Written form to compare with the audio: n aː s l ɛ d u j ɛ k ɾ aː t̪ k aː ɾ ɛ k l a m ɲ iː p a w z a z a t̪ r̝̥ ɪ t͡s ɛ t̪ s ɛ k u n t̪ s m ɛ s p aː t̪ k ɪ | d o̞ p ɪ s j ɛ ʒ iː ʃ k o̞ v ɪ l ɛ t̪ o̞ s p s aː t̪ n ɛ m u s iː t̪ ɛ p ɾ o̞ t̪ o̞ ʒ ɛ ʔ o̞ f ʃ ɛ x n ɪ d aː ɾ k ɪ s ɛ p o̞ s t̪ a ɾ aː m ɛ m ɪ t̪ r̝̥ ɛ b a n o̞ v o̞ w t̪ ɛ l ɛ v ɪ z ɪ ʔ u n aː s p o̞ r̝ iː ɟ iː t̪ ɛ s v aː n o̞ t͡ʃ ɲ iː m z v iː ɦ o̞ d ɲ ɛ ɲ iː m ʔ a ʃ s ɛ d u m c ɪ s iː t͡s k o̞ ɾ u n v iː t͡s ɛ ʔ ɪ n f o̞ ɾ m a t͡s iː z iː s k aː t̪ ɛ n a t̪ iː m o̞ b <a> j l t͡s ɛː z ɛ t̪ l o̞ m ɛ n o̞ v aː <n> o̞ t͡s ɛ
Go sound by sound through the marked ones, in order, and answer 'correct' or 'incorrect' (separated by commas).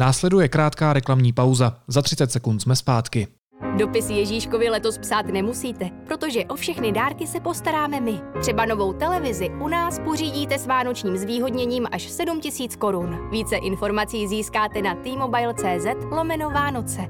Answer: correct, correct